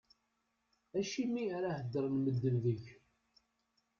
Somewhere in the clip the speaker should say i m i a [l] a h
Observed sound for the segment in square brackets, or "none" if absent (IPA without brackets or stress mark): ɾ